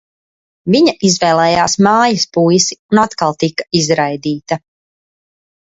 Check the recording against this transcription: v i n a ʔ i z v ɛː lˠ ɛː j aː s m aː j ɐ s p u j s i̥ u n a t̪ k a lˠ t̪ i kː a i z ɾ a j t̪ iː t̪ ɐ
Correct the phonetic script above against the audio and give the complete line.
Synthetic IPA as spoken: v i ɲ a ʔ i z v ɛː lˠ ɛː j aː s m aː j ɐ s p u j s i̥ u n a t̪ k a lˠ t̪ i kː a i z ɾ a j d̪ iː t̪ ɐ